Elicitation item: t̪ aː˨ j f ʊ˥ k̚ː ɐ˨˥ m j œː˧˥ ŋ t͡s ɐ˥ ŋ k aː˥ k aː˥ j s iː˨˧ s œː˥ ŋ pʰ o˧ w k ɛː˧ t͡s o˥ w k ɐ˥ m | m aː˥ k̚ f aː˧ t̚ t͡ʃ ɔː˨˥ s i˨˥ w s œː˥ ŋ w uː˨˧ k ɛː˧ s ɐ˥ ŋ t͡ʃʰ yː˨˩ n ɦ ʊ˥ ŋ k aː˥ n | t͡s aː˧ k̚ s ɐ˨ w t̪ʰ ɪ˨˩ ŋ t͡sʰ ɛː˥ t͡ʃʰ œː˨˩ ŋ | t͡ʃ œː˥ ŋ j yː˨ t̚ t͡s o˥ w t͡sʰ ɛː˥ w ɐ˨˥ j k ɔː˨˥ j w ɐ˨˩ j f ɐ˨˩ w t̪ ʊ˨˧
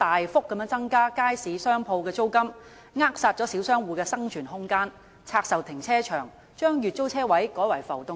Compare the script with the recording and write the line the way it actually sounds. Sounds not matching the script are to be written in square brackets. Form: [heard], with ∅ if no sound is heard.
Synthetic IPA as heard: t̪ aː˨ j f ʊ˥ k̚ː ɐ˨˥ m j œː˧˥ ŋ t͡s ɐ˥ ŋ k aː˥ k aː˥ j s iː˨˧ s œː˥ ŋ pʰ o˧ w k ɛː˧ t͡s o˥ w k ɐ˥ m | [ŋ] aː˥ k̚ [s] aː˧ t̚ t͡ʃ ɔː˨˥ s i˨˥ w s œː˥ ŋ w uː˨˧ k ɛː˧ s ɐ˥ ŋ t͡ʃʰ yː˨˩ n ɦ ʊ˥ ŋ k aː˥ n | [t͡sʰ] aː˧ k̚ s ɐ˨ w t̪ʰ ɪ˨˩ ŋ t͡sʰ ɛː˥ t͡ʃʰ œː˨˩ ŋ | t͡ʃ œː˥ ŋ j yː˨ t̚ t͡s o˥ w t͡sʰ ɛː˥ w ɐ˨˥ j k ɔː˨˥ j w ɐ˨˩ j f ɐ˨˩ w t̪ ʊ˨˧